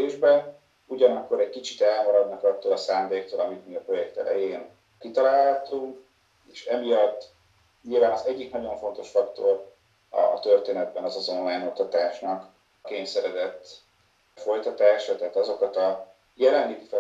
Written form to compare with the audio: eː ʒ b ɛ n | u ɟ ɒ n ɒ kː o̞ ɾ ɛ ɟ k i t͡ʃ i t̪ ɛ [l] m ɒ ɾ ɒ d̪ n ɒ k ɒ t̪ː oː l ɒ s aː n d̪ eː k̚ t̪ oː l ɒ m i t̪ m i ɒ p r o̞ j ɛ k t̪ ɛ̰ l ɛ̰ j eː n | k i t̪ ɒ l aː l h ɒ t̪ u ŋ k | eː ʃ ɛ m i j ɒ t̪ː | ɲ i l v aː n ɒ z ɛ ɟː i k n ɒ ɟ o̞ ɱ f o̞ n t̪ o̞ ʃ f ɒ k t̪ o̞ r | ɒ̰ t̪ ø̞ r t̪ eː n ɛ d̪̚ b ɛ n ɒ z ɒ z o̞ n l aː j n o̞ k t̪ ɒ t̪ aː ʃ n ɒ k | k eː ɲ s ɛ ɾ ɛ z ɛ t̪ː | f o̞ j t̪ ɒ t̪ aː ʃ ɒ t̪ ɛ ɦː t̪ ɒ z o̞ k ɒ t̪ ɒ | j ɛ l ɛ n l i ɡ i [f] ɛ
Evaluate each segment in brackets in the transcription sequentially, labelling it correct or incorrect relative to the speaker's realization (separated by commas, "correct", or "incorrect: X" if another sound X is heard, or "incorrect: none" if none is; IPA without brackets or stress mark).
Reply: correct, correct